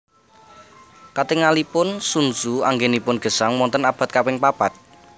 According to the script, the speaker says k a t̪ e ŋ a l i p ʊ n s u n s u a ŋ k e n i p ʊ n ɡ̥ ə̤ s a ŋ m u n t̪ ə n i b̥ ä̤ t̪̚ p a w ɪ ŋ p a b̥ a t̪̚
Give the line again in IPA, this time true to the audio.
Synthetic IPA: k a t̪ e ŋ a l i p ʊ n s u n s u a ŋ ɡ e n i p ʊ n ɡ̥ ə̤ s a ŋ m ɔ n t̪ ə n a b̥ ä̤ t̪̚ k a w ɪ ŋ p a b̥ a t̪̚